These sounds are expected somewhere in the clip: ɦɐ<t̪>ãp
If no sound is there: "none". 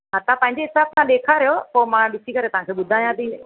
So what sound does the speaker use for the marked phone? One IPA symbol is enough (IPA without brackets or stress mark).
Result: t̪